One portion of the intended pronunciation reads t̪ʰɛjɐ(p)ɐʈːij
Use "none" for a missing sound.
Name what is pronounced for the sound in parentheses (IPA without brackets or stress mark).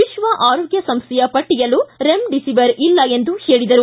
p